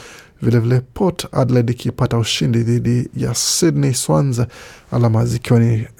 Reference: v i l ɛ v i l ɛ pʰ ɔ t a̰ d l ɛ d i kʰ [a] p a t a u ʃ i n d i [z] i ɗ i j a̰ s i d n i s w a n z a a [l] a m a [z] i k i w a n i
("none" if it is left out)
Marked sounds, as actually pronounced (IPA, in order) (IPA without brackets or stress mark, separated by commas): i, ð, l, z